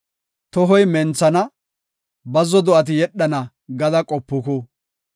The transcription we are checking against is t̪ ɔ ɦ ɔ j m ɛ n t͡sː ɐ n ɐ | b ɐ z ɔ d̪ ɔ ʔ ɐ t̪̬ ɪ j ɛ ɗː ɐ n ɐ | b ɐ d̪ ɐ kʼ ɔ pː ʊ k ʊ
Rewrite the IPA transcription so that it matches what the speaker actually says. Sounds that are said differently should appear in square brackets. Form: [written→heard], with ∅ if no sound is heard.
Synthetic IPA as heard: t̪ ɔ ɦ ɔ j m ɛ n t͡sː ɐ n ɐ | b ɐ z ɔ d̪ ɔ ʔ ɐ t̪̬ ɪ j ɛ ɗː ɐ n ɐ | [b→ɡ] ɐ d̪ ɐ kʼ ɔ pː ʊ k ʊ